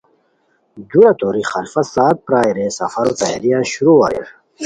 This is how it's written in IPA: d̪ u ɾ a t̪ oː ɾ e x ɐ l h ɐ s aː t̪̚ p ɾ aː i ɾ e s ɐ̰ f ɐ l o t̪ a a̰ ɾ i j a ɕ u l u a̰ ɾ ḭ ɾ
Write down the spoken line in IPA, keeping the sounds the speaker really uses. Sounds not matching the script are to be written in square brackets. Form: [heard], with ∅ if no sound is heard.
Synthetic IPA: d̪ u ɾ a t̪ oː ɾ [i] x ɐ l [f] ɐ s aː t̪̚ p ɾ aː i ɾ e s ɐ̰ f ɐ [ɾ] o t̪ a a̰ ɾ i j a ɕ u [ɾ] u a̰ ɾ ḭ ɾ